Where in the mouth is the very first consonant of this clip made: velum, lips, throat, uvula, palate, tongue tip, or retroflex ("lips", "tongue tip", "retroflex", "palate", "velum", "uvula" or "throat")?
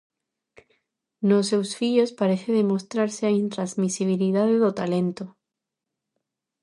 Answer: tongue tip